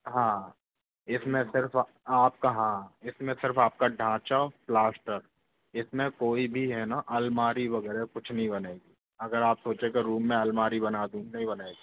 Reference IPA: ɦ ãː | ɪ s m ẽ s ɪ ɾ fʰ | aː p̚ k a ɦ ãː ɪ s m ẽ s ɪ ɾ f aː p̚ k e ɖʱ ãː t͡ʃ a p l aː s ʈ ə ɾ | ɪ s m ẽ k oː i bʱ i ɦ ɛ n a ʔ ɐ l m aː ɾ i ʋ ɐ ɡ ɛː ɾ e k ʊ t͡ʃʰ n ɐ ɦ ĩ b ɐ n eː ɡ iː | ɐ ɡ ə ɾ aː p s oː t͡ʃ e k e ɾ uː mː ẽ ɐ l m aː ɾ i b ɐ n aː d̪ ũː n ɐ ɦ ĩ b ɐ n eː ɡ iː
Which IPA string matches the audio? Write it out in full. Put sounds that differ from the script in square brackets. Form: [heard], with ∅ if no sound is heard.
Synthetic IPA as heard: ɦ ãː | ɪ s m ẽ s ɪ ɾ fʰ | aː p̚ k a ɦ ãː ɪ s m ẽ s ɪ ɾ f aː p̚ k [a] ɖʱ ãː t͡ʃ a p l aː s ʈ ə ɾ | ɪ s m ẽ k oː i bʱ i ɦ ɛ n a ʔ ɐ l m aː ɾ i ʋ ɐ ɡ ɛː ɾ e k ʊ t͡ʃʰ n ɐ ɦ ĩ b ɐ n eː ɡ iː | ɐ ɡ ə ɾ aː p s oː t͡ʃ e k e ɾ uː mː ẽ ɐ l m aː ɾ i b ɐ n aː d̪ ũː n ɐ ɦ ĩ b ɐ n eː ɡ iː

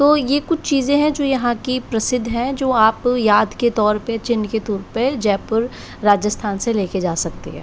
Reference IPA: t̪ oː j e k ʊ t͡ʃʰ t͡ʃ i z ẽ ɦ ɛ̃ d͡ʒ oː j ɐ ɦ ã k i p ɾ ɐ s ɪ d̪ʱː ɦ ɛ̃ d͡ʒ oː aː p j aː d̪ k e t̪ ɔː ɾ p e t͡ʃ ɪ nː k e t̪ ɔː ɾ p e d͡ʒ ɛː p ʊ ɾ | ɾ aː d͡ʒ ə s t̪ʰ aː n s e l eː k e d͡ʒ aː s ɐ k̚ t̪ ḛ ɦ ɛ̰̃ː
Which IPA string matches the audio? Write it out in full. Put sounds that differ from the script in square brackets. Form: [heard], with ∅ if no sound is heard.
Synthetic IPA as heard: t̪ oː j e k ʊ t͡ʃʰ t͡ʃ [iː] z ẽ ɦ ɛ̃ d͡ʒ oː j ɐ ɦ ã k i p ɾ ɐ s ɪ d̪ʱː ɦ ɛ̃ d͡ʒ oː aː p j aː d̪ k e t̪ ɔː ɾ p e t͡ʃ ɪ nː k e t̪ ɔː ɾ p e d͡ʒ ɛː p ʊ ɾ | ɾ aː d͡ʒ ə s t̪ʰ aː n s e l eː k e d͡ʒ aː s ɐ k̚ t̪ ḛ ɦ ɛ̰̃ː

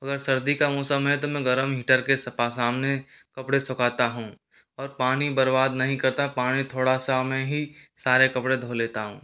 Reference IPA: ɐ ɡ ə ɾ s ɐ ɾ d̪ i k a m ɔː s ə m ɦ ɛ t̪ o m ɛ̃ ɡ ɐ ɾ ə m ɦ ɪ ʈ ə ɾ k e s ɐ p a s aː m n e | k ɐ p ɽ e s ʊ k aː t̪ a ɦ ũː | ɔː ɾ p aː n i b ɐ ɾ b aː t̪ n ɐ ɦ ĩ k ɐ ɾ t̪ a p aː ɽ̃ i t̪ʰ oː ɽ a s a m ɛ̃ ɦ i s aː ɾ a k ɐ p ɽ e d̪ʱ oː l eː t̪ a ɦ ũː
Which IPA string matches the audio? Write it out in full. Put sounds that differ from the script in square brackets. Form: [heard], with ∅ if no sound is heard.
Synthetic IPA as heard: ɐ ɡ ə ɾ s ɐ ɾ d̪ i k a m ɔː s ə m ɦ ɛ t̪ o m ɛ̃ ɡ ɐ ɾ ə m ɦ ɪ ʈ ə ɾ k e s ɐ p a s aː m n e | k ɐ p ɽ e s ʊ k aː t̪ a ɦ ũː | ɔː ɾ p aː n i b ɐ ɾ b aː [d̪] n ɐ ɦ ĩ k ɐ ɾ t̪ a p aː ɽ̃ i t̪ʰ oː ɽ a s a m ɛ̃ ɦ i s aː ɾ [e] k ɐ p ɽ e d̪ʱ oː l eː t̪ a ɦ ũː

